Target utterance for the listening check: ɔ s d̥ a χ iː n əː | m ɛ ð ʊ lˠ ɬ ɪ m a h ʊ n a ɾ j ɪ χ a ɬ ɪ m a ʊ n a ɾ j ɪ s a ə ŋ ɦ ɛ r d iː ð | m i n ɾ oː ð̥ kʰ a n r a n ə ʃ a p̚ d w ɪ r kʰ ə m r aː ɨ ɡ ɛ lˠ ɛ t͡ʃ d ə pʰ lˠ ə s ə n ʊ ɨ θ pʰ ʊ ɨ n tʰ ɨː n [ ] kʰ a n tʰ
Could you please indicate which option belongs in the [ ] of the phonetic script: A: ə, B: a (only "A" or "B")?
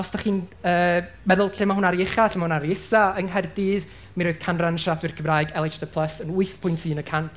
A